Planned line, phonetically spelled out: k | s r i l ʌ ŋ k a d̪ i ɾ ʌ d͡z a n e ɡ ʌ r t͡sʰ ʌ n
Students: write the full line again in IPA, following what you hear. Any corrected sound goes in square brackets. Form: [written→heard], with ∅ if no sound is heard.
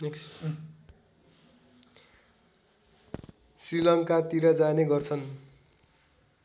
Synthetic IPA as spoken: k | s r i l ʌ ŋ k a [d̪→t̪] i ɾ ʌ d͡z a n e ɡ ʌ r t͡sʰ ʌ n